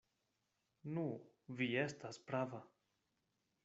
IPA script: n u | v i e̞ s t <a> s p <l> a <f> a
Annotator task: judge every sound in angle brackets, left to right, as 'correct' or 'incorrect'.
correct, incorrect, incorrect

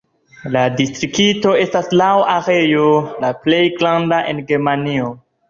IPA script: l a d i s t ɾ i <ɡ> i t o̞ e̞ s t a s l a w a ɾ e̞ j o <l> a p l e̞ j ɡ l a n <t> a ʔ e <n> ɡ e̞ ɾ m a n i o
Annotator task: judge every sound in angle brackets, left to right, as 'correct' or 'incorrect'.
incorrect, correct, incorrect, correct

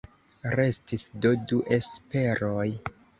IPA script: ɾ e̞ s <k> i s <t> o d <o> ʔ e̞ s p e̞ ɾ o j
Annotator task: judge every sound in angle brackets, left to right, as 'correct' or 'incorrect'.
incorrect, incorrect, incorrect

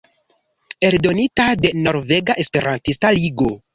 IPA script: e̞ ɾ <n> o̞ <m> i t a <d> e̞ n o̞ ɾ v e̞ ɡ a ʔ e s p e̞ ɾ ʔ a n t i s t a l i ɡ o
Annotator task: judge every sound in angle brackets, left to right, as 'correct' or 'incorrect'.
incorrect, incorrect, correct

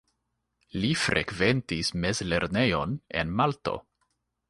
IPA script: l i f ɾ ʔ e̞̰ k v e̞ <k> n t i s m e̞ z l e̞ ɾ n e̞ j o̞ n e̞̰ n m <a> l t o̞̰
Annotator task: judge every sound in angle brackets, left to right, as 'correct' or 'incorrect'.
incorrect, correct

